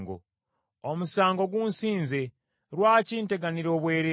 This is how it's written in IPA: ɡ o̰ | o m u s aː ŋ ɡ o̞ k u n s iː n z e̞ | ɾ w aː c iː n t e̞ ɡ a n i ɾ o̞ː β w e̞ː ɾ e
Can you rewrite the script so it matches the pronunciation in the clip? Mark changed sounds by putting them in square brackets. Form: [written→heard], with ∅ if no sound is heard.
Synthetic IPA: ɡ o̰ | o m u s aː ŋ ɡ o̞ [k→ɡ] u n s iː n z e̞ | ɾ w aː c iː n t e̞ ɡ a n i ɾ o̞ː β w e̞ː ɾ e

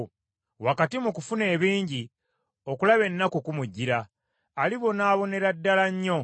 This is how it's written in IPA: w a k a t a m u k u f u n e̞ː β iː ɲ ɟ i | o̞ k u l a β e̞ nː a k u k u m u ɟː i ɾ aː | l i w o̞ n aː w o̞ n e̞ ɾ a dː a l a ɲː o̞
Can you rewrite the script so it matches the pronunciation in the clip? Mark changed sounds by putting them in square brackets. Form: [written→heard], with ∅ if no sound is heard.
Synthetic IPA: w a k a t [a→i] m u k u f u n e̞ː β iː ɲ ɟ i | o̞ k u l a β e̞ nː a k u k u m u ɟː i ɾ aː | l i [w→β] o̞ n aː [w→β] o̞ n e̞ ɾ a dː a l a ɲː o̞

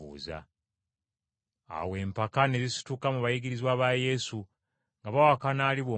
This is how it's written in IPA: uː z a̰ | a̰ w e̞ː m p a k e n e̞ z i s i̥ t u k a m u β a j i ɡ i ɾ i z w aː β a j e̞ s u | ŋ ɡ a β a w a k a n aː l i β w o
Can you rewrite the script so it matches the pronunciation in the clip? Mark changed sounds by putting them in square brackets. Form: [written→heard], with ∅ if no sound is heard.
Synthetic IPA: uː z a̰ | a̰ w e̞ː m p a k [e→a] n e̞ z i s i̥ t u k a m u β a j i ɡ i ɾ i z w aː β a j e̞ s u | ŋ ɡ a β a w a k a n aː l i β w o

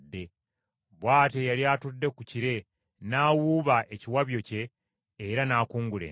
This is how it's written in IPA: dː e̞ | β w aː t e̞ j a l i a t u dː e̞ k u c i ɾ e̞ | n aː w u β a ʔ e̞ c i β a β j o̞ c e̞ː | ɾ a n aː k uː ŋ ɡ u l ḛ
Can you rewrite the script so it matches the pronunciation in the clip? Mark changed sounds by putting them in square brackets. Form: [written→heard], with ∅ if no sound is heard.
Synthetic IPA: dː e̞ | β w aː t e̞ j a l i a t u dː e̞ k u c i ɾ e̞ | n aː w u β a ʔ e̞ c i [β→w] a β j o̞ c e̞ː | ɾ a n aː k uː ŋ ɡ u l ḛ

